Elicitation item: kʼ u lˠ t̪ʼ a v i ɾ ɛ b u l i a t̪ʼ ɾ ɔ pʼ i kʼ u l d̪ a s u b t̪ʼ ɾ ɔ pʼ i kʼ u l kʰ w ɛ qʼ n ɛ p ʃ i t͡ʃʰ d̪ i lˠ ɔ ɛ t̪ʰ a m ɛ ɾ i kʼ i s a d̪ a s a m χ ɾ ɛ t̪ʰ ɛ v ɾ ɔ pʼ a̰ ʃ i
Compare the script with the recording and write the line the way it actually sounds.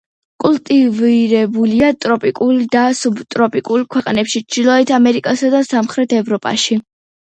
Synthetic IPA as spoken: kʼ u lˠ t̪ʼ i v i ɾ ɛ b u l i a t̪ʼ ɾ ɔ pʼ i kʼ u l d̪ a s u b t̪ʼ ɾ ɔ pʼ i kʼ u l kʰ w ɛ qʼ n ɛ p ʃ i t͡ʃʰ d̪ i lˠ ɔ ɛ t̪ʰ a m ɛ ɾ i kʼ a s a d̪ a s a m χ ɾ ɛ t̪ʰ ɛ v ɾ ɔ pʼ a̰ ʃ i